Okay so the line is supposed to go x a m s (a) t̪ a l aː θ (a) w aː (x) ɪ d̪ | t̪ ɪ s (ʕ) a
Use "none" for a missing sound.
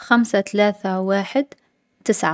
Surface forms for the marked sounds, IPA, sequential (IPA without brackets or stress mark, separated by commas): a, a, ħ, ʕ